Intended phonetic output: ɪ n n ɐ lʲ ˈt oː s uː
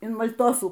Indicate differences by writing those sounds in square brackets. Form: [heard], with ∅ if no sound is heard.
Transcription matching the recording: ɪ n [m] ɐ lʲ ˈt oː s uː